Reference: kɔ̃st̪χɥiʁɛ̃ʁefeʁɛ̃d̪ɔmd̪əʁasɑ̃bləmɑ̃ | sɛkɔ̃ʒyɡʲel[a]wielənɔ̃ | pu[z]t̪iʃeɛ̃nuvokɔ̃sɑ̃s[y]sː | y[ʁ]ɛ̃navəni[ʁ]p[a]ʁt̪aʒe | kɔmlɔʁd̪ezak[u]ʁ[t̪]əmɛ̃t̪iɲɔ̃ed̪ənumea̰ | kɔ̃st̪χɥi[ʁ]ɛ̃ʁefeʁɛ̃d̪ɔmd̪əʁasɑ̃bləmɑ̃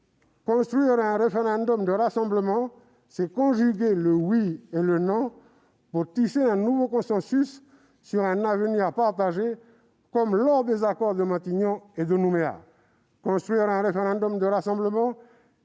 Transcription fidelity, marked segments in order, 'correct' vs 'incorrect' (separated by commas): incorrect, incorrect, correct, correct, correct, correct, incorrect, incorrect, correct